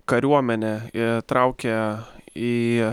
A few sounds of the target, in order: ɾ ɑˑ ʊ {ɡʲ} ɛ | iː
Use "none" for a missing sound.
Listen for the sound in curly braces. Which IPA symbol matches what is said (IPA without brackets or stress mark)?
kʲ